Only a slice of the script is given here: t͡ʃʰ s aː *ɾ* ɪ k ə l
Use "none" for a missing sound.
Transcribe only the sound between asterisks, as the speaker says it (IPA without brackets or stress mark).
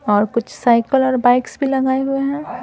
none